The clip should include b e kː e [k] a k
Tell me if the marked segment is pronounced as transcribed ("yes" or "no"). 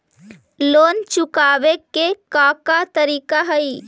yes